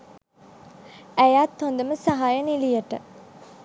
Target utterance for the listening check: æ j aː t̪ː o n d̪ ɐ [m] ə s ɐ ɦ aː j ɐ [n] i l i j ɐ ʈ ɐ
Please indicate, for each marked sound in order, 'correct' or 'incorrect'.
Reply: correct, correct

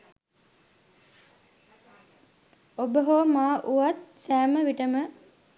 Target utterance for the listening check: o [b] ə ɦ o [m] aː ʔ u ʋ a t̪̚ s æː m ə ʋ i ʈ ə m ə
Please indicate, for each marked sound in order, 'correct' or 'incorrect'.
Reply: correct, correct

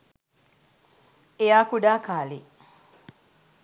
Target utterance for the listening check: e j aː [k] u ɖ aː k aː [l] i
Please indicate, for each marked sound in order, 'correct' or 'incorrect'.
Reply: correct, correct

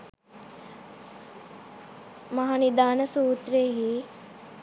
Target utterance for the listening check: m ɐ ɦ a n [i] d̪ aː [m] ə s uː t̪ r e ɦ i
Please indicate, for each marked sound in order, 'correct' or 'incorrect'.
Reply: correct, incorrect

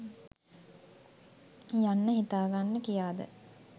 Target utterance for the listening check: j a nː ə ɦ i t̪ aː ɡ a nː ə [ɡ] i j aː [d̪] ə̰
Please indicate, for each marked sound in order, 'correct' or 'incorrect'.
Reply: incorrect, correct

